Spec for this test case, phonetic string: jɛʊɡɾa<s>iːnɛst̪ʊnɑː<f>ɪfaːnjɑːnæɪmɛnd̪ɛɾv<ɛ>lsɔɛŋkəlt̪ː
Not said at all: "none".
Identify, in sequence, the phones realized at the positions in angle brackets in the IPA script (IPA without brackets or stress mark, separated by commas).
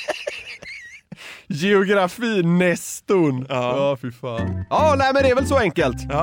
f, f, ɛ